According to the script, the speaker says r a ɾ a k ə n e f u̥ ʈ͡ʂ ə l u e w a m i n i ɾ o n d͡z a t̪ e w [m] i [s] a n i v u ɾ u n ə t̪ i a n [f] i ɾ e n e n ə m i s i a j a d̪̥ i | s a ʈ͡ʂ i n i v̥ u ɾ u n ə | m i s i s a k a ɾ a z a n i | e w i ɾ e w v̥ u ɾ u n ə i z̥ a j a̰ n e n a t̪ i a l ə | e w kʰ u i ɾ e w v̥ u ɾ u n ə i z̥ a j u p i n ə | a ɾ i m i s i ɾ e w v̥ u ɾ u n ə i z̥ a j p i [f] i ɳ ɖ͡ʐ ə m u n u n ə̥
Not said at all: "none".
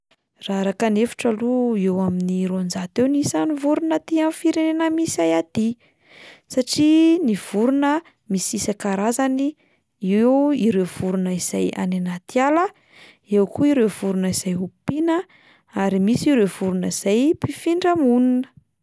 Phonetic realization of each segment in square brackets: n, s, f, f

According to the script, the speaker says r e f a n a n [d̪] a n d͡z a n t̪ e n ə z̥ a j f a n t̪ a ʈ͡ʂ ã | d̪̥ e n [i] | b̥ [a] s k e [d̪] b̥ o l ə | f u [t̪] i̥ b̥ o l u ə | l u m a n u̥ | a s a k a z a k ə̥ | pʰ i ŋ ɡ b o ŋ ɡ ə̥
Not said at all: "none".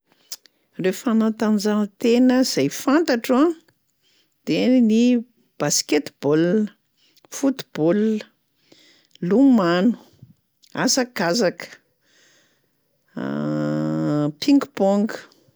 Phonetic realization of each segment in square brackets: t̪, i, a, t̪, t̪

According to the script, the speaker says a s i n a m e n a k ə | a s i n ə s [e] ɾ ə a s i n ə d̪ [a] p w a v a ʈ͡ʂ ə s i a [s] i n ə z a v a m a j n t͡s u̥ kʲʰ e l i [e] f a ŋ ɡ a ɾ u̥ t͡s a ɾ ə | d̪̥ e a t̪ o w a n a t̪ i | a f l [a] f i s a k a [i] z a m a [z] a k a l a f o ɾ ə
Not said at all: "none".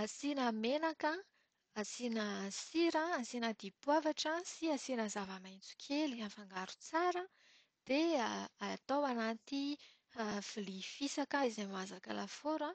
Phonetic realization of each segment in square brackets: i, i, s, a, i, i, z

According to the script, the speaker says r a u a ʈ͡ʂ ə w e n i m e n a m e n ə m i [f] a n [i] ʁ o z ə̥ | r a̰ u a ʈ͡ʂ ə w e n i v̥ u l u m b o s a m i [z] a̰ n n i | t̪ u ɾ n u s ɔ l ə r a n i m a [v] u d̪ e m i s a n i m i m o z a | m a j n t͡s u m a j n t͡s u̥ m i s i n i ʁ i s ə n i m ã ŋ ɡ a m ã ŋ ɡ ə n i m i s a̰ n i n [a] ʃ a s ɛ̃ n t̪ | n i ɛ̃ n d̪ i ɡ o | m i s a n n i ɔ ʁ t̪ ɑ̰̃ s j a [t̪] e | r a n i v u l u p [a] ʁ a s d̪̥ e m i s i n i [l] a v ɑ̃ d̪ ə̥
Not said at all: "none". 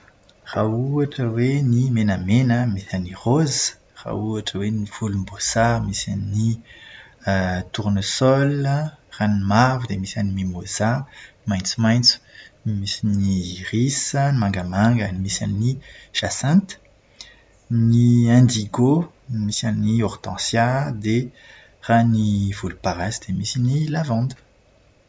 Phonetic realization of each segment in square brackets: s, i, s, v, i, d̪, a, l

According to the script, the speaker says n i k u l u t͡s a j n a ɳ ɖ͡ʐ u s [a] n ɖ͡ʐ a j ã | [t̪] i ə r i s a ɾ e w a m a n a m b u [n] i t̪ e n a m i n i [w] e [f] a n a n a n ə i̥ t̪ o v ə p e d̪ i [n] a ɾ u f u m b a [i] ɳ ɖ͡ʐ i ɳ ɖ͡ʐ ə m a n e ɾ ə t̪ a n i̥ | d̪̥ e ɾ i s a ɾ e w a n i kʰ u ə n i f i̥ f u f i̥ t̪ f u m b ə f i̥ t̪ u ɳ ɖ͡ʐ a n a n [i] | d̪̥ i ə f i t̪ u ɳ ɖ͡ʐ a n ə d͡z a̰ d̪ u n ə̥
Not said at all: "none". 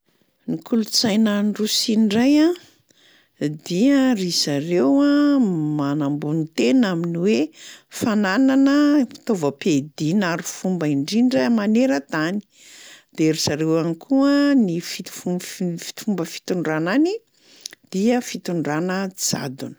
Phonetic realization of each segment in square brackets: i, d̪, n, w, f, n, i, i

